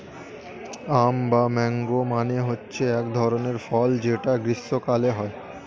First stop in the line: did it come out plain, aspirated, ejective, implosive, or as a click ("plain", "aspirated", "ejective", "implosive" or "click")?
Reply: plain